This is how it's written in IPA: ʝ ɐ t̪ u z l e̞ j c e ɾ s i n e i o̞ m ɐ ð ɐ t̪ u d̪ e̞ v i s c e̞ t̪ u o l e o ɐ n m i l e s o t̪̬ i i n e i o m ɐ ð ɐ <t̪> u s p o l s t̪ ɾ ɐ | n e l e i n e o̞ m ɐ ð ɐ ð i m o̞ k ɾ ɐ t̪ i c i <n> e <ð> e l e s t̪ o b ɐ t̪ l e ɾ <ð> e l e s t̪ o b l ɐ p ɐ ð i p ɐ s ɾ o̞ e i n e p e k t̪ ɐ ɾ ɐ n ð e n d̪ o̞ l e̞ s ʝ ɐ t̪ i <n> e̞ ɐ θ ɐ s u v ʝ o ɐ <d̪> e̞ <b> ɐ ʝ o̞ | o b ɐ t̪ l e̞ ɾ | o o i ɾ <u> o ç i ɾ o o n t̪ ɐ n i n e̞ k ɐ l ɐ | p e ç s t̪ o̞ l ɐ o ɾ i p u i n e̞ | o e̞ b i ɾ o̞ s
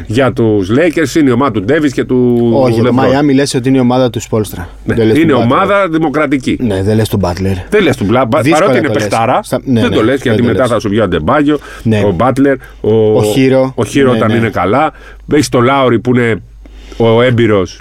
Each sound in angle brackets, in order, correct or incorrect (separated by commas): correct, correct, correct, correct, incorrect, correct, correct, incorrect